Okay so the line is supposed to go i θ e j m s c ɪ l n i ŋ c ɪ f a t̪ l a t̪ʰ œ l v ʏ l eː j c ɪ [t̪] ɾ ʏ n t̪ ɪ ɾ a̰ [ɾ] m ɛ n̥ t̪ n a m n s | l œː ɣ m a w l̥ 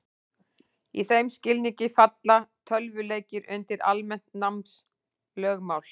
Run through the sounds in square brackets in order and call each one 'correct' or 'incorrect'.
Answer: incorrect: none, incorrect: l

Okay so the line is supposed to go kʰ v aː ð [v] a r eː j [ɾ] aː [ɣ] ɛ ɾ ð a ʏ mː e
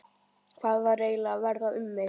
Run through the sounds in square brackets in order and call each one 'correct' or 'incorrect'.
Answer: correct, incorrect: l, incorrect: v

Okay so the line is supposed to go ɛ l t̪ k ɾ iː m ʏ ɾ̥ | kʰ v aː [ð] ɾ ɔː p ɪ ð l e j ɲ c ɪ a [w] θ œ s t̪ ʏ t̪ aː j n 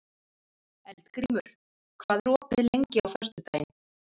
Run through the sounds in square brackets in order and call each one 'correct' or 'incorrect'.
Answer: correct, correct

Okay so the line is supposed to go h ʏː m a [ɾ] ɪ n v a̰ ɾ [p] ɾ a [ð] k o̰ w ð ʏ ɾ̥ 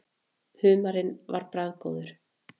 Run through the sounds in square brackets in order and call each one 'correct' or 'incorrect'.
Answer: correct, correct, correct

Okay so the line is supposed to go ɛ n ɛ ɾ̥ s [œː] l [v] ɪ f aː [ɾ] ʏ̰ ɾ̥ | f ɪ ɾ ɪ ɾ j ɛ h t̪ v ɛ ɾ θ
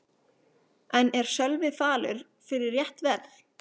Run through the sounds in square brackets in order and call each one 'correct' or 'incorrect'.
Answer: incorrect: œ, correct, incorrect: l

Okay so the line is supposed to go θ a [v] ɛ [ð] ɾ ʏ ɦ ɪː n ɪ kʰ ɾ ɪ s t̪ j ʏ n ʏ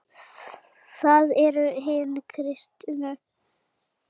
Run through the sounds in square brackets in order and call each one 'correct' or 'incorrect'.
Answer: incorrect: ð, incorrect: none

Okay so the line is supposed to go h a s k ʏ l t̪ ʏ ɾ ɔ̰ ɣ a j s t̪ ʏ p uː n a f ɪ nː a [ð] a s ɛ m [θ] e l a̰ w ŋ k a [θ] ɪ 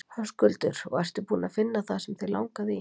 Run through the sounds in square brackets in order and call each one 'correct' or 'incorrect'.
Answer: incorrect: θ, correct, incorrect: ð

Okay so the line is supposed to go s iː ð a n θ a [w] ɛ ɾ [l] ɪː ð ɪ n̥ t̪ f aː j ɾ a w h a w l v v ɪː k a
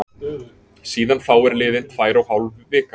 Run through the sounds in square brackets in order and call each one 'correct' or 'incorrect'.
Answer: correct, correct

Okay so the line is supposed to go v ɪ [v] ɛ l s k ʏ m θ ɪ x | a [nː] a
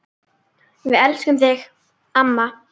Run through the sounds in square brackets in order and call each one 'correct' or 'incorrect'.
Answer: incorrect: ð, incorrect: mː

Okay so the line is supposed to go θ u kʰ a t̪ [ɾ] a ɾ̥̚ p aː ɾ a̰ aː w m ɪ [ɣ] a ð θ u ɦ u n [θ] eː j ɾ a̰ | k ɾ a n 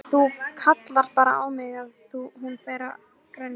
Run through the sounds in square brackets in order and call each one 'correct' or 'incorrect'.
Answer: incorrect: l, correct, incorrect: f

